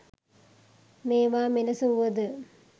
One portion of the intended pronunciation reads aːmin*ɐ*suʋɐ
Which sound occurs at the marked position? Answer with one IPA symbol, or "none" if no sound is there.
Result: ɐ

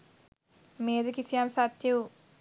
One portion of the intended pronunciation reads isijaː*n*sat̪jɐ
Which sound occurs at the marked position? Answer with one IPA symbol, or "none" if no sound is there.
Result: m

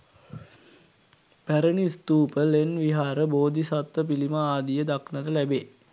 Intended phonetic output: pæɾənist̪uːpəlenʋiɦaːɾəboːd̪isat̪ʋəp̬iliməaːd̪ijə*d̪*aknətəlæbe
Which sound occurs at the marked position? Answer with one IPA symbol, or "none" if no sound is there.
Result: d̪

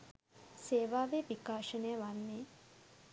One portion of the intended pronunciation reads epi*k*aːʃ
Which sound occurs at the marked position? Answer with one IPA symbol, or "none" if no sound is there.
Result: k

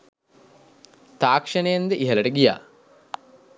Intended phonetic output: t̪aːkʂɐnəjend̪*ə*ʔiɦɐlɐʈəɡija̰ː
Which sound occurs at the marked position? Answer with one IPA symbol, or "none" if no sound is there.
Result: ə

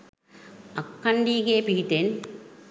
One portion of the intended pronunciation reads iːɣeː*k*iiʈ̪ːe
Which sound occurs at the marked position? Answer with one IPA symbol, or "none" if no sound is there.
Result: p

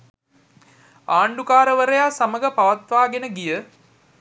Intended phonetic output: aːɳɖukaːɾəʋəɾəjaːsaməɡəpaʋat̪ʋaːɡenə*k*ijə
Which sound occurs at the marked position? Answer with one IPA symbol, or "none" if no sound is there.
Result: ɡ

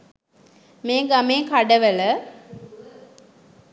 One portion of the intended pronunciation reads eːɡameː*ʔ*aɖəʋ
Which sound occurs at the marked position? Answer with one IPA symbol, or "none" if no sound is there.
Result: k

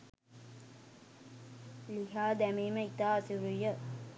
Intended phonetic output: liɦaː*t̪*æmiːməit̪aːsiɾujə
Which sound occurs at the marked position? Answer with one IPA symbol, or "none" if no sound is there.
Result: d̪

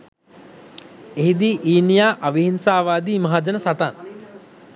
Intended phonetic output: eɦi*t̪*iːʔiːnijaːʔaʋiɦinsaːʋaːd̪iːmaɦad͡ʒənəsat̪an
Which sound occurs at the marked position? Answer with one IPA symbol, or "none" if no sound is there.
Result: d̪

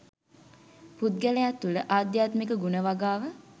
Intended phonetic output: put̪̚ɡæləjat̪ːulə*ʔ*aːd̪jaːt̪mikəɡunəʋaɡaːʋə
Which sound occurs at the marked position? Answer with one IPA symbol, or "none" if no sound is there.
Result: ʔ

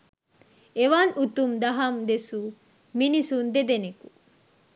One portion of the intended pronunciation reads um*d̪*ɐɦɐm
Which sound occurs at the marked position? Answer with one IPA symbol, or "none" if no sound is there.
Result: d̪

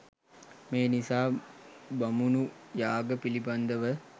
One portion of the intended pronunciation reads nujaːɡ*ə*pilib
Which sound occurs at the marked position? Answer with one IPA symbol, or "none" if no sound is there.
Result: ə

